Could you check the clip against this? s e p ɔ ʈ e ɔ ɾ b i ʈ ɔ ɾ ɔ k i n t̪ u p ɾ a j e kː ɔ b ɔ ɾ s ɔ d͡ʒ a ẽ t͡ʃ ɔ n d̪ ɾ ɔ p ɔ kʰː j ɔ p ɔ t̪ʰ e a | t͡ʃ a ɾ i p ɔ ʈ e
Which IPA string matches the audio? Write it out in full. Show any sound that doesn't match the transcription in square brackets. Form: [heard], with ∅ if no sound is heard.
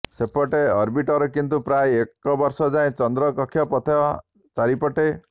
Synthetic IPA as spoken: s e p ɔ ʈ e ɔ ɾ b i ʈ ɔ ɾ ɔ k i n t̪ u p ɾ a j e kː ɔ b ɔ ɾ s ɔ d͡ʒ a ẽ t͡ʃ ɔ n d̪ ɾ ɔ [k] ɔ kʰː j ɔ p ɔ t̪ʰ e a | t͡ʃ a ɾ i p ɔ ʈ e

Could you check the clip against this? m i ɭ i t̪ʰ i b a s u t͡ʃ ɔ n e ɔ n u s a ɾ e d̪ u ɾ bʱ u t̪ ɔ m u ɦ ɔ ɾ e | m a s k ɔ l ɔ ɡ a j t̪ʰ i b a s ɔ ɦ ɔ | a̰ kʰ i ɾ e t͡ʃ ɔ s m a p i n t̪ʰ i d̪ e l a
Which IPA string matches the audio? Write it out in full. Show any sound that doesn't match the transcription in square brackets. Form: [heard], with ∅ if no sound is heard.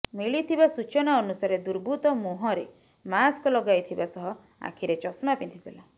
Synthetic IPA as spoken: m i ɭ i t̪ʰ i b a s u t͡ʃ ɔ n [a] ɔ n u s a ɾ e d̪ u ɾ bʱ u t̪ ɔ m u ɦ ɔ ɾ e | m a s k ɔ l ɔ ɡ a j t̪ʰ i b a s ɔ ɦ ɔ | a̰ kʰ i ɾ e t͡ʃ ɔ s m a p i n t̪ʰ i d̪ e l a

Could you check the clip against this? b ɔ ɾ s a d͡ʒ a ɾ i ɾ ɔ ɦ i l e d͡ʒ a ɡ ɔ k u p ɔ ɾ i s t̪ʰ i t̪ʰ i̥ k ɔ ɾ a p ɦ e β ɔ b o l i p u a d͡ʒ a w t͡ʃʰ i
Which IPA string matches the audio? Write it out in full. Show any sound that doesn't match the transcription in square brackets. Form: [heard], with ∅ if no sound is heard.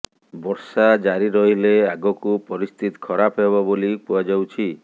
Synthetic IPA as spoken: b ɔ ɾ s a d͡ʒ a ɾ i ɾ ɔ ɦ i l e [∅] a ɡ ɔ k u p ɔ ɾ i s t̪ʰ i [t̪] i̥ [kʰ] ɔ ɾ a p ɦ e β ɔ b o l i p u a d͡ʒ a w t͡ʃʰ i

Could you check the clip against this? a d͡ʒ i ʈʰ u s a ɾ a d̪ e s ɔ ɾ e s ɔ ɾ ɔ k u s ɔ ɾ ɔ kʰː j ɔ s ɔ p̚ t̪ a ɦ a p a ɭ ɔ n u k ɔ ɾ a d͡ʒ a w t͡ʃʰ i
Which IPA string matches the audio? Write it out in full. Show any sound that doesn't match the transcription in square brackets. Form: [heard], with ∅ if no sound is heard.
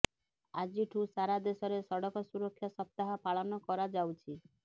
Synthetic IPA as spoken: a d͡ʒ i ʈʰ u s a ɾ a d̪ e s ɔ ɾ e s ɔ [ɽ] ɔ k [ɔ] s [u] ɾ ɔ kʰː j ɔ s ɔ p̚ t̪ a ɦ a p a ɭ ɔ n [ɔ] k ɔ ɾ a d͡ʒ a w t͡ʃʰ i

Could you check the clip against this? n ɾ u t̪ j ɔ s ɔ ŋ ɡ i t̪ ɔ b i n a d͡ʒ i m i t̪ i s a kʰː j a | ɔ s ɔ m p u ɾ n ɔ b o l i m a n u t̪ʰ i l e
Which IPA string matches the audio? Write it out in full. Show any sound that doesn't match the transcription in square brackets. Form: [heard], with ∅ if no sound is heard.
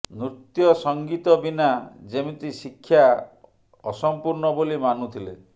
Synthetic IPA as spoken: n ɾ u t̪ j ɔ s ɔ ŋ ɡ i t̪ ɔ b i n a d͡ʒ [e] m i t̪ i s [i] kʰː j a | ɔ s ɔ m p u ɾ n ɔ b o l i m a n u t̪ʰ i l e

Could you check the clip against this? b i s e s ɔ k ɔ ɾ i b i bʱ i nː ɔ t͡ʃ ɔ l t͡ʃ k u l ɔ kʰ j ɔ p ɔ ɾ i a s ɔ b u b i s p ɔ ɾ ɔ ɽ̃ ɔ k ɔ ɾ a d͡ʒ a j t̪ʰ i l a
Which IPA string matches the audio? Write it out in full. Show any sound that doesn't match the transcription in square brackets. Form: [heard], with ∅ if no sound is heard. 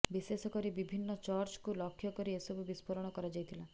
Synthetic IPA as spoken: b i s e s ɔ k ɔ ɾ i b i bʱ i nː ɔ t͡ʃ ɔ [ɾ] t͡ʃ k u l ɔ kʰ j ɔ [k] ɔ ɾ i [e] s ɔ b u b i s p ɔ ɾ ɔ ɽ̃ ɔ k ɔ ɾ a d͡ʒ a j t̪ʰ i l a

